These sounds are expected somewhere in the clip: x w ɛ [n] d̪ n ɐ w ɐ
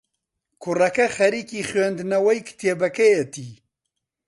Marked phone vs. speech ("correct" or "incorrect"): correct